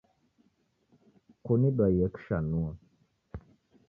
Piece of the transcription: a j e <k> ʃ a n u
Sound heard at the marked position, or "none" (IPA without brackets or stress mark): k